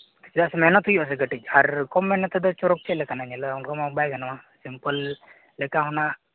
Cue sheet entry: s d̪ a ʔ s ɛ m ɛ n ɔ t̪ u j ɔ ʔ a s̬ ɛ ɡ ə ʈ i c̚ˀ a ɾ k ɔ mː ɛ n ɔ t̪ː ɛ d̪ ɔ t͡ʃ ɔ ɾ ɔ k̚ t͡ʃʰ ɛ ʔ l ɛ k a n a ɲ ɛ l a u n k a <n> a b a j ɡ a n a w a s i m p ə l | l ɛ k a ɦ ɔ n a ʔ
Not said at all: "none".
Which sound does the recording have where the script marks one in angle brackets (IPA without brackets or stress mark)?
m